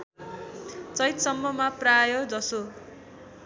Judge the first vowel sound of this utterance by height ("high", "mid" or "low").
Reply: mid